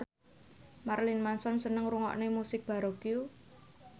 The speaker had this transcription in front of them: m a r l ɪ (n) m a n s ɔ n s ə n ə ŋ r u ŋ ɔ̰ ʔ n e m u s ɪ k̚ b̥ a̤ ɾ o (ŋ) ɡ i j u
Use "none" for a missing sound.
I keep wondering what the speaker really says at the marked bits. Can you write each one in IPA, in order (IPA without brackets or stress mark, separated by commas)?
n, none